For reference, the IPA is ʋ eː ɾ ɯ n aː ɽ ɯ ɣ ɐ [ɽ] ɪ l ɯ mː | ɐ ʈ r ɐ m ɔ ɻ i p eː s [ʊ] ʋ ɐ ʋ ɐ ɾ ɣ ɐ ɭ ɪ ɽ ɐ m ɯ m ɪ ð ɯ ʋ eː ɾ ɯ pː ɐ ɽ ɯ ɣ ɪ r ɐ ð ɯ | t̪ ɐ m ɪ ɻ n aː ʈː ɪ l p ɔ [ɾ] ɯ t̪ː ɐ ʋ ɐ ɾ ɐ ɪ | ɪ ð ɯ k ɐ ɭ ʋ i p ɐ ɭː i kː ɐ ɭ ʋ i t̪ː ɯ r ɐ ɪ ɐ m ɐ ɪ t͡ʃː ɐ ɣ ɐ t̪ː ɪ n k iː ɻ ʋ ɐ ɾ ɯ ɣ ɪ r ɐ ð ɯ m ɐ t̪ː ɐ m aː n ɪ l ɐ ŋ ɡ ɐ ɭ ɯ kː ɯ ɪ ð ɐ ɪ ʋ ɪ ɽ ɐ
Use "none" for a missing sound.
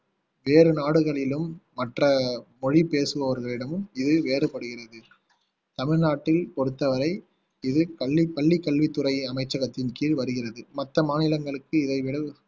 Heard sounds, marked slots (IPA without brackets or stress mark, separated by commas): ɭ, ɯ, ɽ